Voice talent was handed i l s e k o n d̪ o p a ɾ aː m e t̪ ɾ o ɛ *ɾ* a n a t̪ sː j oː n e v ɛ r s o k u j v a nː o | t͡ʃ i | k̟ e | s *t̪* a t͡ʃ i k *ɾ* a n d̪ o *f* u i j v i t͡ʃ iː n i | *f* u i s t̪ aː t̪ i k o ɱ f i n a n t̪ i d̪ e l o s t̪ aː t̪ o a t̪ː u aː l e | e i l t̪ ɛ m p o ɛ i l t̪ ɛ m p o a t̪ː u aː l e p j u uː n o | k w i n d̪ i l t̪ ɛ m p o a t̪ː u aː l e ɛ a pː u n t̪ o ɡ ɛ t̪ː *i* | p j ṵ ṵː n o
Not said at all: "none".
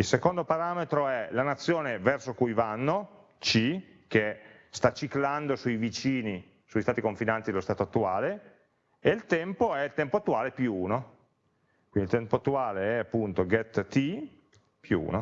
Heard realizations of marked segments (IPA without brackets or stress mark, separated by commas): l, t̪, l, s, s, i